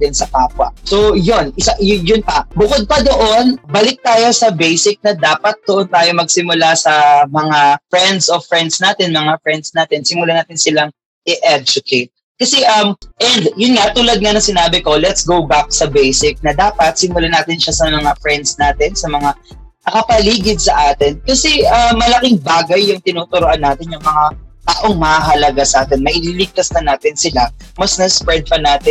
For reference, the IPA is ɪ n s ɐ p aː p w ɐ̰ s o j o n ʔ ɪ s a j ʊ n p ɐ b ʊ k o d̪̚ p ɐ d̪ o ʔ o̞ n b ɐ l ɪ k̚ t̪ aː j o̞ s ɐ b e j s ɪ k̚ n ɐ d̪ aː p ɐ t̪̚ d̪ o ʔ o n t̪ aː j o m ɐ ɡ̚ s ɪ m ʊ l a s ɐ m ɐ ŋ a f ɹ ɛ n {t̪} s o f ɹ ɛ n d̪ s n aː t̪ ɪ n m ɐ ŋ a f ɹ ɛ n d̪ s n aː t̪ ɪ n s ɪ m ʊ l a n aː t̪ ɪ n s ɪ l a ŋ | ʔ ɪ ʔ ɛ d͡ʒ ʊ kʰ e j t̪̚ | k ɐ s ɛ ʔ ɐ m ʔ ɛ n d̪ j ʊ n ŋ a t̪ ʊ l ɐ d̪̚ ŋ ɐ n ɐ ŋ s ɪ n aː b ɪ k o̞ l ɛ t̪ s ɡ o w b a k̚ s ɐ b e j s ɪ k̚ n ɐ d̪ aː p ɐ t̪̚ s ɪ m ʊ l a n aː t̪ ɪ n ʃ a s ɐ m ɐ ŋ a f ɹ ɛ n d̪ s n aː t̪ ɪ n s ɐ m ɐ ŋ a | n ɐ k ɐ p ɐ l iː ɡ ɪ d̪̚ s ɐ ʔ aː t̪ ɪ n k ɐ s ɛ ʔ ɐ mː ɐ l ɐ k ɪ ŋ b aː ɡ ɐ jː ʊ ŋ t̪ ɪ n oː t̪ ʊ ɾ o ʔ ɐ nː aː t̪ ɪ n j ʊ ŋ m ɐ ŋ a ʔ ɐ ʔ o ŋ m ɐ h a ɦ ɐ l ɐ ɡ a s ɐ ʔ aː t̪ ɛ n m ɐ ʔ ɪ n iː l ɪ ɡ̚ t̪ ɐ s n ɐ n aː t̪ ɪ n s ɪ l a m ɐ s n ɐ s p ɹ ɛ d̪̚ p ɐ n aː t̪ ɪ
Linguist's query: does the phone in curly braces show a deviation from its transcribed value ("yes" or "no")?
yes